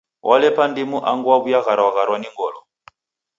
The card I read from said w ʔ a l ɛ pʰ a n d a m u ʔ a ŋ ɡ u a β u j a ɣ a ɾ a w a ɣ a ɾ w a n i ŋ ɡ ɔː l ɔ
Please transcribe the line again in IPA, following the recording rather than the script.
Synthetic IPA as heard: w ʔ a l ɛ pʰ a n d i m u ʔ a ŋ ɡ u a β u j a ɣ a ɾ a w a ɣ a ɾ w a n i ŋ ɡ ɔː l ɔ